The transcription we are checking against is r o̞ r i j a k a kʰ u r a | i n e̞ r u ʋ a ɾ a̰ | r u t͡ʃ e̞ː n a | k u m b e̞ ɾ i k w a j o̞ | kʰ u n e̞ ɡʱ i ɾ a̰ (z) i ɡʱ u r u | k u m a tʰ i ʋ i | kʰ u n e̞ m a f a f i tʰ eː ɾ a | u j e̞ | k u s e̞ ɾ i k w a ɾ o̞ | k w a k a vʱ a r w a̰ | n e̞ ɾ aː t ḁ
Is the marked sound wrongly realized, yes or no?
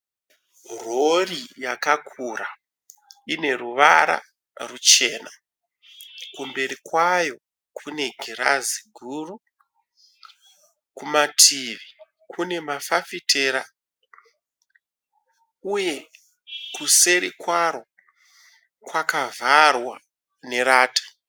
no